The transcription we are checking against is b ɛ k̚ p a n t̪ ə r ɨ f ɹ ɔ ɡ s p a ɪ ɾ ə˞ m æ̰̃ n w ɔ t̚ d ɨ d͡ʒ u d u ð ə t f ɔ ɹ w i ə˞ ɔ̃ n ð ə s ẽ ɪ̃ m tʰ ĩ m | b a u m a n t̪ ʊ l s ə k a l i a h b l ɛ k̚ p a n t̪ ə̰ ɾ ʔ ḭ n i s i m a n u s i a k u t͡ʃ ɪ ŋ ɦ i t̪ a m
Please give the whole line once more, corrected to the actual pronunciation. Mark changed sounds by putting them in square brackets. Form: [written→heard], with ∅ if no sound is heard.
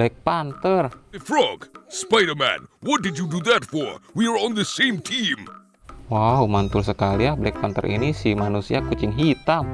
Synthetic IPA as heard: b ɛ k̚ p a n t̪ ə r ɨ f ɹ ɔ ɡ s p a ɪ ɾ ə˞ m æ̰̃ n w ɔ t̚ d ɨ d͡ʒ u d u ð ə t f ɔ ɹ w i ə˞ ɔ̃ n ð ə s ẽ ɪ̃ m tʰ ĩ m | [b→w] a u m a n t̪ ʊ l s ə k a l i a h b l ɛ k̚ p a n t̪ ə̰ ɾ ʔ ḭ n i s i m a n u s i a k u t͡ʃ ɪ ŋ ɦ i t̪ a m